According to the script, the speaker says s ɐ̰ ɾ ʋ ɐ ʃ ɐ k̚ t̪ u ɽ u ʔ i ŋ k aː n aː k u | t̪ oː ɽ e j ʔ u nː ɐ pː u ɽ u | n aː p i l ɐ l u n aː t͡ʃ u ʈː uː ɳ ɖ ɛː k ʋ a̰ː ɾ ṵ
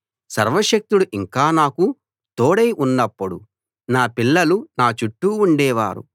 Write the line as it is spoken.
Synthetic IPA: s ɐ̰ ɾ ʋ ɐ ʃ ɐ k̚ t̪ u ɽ u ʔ i ŋ k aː n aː k u | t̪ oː ɽ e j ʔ u nː ɐ pː u ɽ u | n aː p i lː ɐ l u n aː t͡ʃ u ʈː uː ɳ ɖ ɛː ʋ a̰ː ɾ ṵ